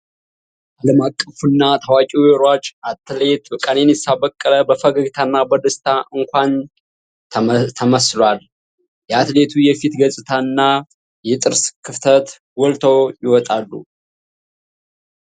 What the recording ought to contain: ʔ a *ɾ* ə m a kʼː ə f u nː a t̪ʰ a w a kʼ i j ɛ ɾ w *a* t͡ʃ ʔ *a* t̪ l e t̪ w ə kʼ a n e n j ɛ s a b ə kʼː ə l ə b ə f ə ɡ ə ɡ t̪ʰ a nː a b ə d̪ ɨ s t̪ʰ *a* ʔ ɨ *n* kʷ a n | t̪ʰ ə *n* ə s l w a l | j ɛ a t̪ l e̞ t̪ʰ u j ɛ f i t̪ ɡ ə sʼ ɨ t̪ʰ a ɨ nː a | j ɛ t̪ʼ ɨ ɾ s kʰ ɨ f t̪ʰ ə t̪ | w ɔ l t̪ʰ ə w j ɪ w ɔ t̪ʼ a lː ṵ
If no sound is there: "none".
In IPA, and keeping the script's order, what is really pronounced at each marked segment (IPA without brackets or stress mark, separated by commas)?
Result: l, a, a, a, ŋ, m